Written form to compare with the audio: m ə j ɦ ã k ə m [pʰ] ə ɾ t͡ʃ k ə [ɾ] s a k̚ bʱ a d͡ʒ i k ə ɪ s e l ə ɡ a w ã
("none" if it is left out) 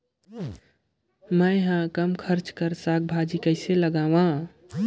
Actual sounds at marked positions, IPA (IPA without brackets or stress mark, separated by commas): kʰ, ɾ